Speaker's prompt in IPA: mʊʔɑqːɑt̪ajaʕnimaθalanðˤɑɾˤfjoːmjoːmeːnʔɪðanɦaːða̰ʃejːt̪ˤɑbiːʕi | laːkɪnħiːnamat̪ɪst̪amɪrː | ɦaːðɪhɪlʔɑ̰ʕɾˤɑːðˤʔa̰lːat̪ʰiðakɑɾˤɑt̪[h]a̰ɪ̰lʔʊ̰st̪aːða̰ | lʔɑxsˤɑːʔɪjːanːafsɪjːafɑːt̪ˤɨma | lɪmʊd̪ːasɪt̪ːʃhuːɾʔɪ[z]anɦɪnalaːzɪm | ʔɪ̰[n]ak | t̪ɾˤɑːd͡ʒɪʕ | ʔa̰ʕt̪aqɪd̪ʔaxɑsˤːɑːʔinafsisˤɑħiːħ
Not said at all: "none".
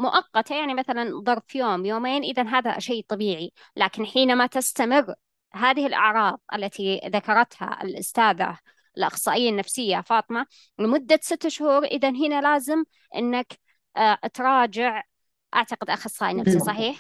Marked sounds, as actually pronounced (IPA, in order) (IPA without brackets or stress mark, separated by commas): h, ð, nː